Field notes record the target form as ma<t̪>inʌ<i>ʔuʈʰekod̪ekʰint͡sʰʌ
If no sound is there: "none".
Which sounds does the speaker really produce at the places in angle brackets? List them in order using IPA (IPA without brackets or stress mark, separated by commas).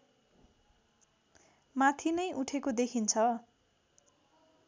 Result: t̪ʰ, j